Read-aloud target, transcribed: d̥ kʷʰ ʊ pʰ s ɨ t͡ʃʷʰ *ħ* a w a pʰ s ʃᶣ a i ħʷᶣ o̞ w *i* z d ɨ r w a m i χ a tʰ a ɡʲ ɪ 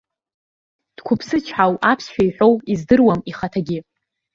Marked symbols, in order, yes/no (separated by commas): yes, yes